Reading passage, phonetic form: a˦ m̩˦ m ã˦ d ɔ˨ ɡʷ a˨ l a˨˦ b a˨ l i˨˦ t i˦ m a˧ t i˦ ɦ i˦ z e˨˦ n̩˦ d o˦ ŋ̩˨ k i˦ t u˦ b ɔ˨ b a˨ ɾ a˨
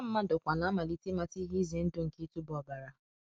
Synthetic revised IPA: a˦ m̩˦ m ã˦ d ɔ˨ kʷ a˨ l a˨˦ m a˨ l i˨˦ t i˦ m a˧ t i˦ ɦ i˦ z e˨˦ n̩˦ d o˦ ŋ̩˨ k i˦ t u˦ b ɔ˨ b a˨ ɾ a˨